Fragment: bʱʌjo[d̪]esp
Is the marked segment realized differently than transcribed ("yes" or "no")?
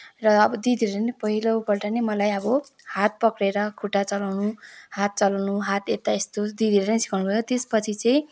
yes